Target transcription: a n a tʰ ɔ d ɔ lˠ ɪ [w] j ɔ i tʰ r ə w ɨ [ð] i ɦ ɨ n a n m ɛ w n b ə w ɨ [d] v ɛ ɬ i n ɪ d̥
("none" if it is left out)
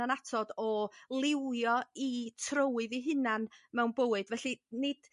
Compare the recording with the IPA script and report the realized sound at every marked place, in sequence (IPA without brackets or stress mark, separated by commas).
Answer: w, ð, d